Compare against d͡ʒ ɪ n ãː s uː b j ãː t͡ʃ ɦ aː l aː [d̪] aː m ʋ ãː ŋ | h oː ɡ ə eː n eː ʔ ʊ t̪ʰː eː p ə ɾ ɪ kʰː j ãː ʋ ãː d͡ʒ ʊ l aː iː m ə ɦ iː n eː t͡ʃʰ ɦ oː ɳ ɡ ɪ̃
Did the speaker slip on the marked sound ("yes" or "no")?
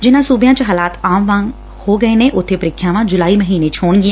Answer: yes